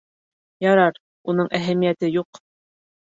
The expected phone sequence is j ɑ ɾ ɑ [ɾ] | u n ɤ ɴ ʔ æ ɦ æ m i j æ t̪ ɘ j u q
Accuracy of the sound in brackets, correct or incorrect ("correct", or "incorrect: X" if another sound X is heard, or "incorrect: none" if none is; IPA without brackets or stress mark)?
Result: correct